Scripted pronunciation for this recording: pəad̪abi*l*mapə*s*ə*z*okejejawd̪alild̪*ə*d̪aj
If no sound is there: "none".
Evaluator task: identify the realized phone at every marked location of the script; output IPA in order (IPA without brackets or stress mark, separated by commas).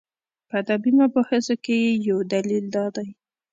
none, x, z, ɑ